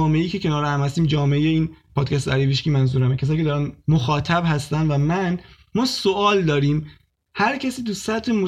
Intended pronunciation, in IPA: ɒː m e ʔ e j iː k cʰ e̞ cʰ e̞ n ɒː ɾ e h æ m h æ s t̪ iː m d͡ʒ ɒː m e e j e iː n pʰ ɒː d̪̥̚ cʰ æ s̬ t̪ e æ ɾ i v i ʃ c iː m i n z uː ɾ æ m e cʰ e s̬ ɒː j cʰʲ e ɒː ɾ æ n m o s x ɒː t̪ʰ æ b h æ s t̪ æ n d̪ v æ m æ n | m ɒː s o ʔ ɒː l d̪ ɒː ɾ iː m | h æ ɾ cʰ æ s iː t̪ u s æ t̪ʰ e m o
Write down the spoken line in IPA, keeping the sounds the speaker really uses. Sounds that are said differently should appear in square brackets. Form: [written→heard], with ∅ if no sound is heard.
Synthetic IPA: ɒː m e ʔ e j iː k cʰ e̞ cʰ e̞ n ɒː ɾ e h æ m h æ s t̪ iː m d͡ʒ ɒː m e e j e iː n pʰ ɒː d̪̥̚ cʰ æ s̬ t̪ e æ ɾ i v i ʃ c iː m [i→æ] n z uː ɾ æ m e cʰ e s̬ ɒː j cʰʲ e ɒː ɾ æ n m o [s→∅] x ɒː t̪ʰ æ b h æ s t̪ æ n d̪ v æ m æ n | m ɒː s o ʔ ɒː l d̪ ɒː ɾ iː m | h æ ɾ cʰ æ s iː t̪ u s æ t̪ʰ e m o